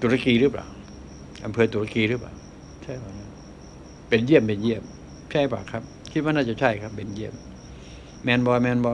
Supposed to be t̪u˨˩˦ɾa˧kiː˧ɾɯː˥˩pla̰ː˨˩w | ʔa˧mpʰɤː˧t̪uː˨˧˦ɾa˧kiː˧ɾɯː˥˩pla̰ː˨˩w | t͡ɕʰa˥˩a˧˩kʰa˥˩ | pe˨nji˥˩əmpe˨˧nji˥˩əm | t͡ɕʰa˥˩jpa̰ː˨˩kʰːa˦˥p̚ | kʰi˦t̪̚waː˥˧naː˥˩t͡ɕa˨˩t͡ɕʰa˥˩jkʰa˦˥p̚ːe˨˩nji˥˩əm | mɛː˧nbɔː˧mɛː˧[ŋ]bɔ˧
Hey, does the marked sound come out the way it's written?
no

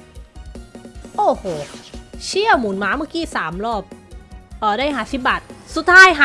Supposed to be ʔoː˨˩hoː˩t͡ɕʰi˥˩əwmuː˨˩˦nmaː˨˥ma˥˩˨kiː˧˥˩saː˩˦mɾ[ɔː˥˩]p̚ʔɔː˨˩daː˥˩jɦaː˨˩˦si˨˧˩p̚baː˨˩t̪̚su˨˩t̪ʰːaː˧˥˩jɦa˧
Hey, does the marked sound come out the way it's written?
yes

